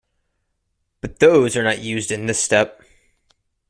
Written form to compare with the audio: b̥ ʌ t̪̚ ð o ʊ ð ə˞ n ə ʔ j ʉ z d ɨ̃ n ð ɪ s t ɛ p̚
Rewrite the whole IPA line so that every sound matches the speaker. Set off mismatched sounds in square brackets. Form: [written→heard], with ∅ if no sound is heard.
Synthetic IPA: b̥ ʌ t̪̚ ð o ʊ [ð→z] ə˞ n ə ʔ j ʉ z d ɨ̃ n ð ɪ s t ɛ p̚